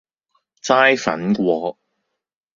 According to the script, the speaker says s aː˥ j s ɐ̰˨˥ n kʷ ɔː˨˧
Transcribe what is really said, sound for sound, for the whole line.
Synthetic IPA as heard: t͡s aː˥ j f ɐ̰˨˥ n kʷ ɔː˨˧